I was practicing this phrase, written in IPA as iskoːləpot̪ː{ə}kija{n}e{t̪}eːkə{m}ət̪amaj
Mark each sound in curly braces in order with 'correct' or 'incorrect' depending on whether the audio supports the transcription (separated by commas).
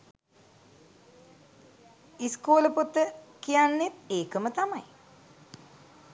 correct, incorrect, correct, correct